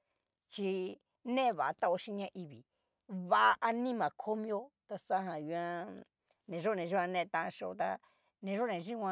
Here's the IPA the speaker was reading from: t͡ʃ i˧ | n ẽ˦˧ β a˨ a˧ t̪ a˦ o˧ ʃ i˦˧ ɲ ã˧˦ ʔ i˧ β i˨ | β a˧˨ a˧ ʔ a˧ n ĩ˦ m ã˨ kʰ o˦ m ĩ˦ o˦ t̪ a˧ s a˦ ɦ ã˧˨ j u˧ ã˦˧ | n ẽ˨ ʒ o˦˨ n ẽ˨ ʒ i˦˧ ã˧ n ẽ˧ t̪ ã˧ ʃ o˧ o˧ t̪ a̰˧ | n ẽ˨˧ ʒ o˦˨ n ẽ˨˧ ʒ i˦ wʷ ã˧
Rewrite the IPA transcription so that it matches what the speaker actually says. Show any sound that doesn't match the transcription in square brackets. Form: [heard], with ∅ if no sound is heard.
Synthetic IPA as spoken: t͡ʃ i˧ | n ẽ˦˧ β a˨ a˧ t̪ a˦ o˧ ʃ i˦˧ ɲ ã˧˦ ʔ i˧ β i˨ | β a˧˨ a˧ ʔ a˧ n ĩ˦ m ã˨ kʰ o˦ m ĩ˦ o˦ t̪ a˧ s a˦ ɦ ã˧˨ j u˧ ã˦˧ | n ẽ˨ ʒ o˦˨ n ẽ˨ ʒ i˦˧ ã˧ n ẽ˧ t̪ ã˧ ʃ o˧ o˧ t̪ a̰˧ | n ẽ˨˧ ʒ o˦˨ n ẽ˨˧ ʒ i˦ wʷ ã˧